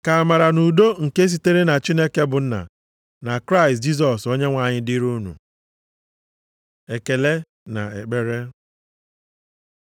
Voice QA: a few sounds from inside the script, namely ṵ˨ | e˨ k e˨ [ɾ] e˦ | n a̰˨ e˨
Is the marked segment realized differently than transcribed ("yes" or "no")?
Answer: yes